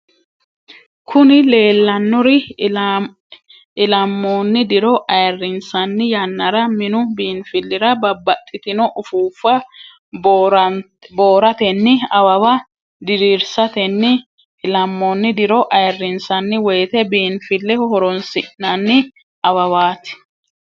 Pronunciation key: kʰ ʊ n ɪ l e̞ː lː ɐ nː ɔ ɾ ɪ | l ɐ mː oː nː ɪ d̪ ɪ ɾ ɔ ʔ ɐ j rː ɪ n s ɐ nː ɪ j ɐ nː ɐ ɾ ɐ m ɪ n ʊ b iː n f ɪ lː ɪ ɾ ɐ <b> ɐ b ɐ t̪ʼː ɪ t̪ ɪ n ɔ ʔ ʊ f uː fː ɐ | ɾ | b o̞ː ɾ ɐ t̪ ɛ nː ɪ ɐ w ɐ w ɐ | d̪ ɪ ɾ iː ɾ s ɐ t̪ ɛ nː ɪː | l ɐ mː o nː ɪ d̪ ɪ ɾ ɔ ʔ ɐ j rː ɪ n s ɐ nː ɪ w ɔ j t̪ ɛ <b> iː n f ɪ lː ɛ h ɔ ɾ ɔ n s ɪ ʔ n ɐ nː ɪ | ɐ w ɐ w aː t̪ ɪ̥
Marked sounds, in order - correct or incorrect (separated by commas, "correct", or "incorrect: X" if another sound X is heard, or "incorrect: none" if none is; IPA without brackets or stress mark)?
correct, correct